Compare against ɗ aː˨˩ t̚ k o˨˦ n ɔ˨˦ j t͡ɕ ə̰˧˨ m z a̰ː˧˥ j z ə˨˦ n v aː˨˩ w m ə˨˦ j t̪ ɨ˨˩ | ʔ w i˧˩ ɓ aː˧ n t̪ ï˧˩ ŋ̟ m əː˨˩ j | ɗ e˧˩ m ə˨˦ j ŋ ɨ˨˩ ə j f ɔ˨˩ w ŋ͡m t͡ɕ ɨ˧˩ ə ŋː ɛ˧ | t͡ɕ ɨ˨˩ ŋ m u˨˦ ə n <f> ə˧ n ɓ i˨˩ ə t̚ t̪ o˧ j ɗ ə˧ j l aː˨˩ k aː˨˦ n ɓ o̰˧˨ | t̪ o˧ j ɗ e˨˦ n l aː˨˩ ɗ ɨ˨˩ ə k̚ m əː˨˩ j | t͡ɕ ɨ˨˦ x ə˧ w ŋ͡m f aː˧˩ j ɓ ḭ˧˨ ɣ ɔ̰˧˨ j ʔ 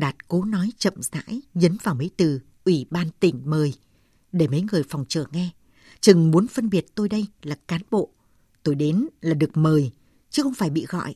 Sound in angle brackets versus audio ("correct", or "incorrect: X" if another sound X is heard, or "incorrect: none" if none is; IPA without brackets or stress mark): correct